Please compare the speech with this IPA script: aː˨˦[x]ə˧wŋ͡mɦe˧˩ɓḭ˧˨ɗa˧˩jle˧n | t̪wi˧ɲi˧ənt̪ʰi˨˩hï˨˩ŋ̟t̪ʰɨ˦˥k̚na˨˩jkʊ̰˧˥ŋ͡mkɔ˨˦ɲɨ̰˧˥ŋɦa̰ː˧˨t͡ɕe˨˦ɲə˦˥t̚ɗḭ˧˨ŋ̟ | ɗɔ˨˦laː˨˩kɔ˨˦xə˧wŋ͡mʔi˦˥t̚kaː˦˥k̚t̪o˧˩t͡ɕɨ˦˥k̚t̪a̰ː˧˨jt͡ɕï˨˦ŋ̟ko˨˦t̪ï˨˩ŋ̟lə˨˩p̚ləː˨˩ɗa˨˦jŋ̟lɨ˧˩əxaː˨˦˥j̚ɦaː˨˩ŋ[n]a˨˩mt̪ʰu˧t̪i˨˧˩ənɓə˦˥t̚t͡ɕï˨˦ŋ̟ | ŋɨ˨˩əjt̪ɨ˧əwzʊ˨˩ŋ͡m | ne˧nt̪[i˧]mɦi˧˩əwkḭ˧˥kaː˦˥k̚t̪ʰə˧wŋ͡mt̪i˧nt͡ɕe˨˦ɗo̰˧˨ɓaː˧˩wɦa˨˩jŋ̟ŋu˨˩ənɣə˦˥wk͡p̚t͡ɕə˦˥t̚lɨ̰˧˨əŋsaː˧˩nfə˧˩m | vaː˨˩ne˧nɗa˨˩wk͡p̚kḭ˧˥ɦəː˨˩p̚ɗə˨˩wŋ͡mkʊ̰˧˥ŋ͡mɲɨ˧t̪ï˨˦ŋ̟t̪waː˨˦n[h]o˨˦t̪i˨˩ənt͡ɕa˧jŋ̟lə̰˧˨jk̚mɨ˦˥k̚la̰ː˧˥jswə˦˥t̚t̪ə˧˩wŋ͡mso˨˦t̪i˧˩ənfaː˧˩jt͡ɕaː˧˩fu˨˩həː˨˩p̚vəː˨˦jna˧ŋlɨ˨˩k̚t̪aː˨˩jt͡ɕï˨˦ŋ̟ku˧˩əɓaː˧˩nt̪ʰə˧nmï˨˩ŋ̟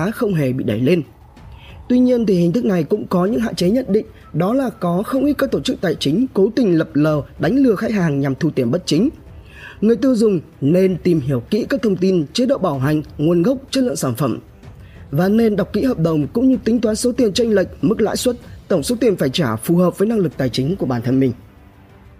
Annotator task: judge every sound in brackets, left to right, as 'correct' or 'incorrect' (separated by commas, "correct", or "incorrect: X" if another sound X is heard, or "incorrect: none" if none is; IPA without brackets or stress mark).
correct, incorrect: ɲ, incorrect: i˨˩, incorrect: s